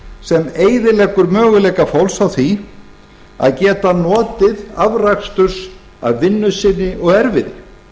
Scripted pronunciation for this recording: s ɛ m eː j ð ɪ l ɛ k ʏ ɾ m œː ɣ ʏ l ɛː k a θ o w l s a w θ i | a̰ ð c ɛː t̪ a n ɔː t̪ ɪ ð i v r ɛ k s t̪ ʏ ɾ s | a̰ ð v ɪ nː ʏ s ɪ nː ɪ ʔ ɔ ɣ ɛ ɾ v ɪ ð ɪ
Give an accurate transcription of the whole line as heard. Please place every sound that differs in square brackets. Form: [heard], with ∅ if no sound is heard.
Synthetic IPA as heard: s ɛ m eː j ð ɪ l ɛ k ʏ ɾ m œː ɣ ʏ l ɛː k a [f] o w l s a w θ i | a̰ ð c ɛː t̪ a n ɔː t̪ ɪ ð [a] v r [a] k s t̪ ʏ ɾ s | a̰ ð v ɪ nː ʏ s ɪ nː ɪ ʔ ɔ ɣ ɛ ɾ v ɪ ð ɪ

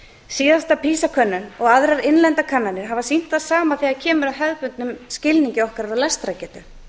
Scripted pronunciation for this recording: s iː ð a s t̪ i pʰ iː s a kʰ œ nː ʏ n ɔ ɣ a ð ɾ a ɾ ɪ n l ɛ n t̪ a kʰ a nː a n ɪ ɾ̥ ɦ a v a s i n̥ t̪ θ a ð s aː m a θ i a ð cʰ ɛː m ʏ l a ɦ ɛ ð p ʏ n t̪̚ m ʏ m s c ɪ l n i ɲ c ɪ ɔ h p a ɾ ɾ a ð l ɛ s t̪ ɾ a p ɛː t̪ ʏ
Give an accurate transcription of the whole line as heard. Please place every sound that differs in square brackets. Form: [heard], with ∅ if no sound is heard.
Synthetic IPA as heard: s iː ð a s t̪ [a] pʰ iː s a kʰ œ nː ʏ n ɔ ɣ a ð ɾ a ɾ ɪ n l ɛ n t̪ a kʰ a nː a n ɪ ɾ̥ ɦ a v a s i n̥ t̪ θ a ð s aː m a θ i a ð cʰ ɛː m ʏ [ɾ] a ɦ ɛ ð p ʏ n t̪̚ [n] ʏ m s c ɪ l n i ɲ c ɪ ɔ h [k] a ɾ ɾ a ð l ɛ s t̪ ɾ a [c] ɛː t̪ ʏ

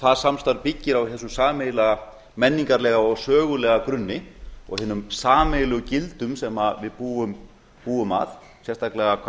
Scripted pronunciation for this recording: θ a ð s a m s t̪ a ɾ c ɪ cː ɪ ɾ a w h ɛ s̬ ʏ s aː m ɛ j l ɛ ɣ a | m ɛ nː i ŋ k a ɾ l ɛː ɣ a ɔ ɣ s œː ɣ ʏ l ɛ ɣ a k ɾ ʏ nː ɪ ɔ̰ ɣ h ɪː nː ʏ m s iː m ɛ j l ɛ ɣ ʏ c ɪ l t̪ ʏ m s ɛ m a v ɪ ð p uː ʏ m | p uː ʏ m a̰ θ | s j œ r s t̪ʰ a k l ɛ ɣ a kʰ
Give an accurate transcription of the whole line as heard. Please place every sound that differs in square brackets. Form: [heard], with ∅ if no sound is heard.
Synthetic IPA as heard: θ a ð s a m s t̪ a ɾ [p] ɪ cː ɪ ɾ a w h ɛ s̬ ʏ s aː m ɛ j l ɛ ɣ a | m ɛ nː i ŋ k a ɾ l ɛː ɣ a ɔ ɣ s œː ɣ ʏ l ɛ ɣ a k ɾ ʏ nː ɪ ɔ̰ ɣ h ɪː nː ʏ m s [aː] m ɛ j l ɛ ɣ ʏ c ɪ l t̪ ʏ m s ɛ m a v ɪ ð p uː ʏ m | p uː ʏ m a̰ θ | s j [ɛ] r s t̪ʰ a k l ɛ ɣ a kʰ

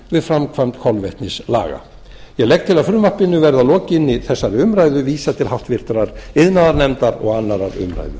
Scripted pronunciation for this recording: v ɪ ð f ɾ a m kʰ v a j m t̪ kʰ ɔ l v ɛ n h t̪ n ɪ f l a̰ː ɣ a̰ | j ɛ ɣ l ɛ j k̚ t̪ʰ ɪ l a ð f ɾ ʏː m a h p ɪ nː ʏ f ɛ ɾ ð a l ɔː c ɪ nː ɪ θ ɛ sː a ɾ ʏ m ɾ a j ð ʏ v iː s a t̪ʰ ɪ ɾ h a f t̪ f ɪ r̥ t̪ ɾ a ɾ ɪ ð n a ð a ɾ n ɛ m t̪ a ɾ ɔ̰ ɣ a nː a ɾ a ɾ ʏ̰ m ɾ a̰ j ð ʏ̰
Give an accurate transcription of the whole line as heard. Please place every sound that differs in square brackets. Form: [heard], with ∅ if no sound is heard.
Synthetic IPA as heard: v ɪ ð f ɾ a m kʰ v a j m t̪ kʰ ɔ l v ɛ [∅] h t̪ n ɪ [s] l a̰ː ɣ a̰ | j ɛ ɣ l ɛ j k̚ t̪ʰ ɪ l a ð f ɾ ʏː m a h p ɪ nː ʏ [v] ɛ ɾ ð a l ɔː c ɪ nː ɪ θ ɛ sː a ɾ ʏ m ɾ a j ð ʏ v iː s a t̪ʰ ɪ [l] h a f t̪ [v] ɪ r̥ t̪ ɾ a ɾ ɪ ð n a ð a ɾ n ɛ m t̪ a ɾ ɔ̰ ɣ a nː a ɾ a ɾ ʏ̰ m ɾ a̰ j ð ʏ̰

